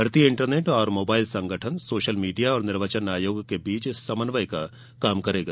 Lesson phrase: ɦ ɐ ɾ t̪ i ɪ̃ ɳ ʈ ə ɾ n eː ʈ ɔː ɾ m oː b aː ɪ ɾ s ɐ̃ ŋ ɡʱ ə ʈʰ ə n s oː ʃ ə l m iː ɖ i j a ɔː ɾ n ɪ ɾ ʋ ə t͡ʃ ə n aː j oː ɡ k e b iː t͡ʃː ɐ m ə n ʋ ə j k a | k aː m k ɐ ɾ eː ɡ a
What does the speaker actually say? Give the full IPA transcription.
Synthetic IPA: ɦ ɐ ɾ t̪ i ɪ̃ ɳ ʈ ə ɾ n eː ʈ ɔː ɾ m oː b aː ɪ l s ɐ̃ ŋ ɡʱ ə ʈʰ ə n s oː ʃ ə l m iː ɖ i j a ɔː ɾ n ɪ ɾ ʋ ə t͡ʃ ə n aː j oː ɡ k e b iː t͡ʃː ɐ m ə n ʋ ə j k a | k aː m k ɐ ɾ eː ɡ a